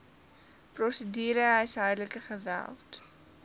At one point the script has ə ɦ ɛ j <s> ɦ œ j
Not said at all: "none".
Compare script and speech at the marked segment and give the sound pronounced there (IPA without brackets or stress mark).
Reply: s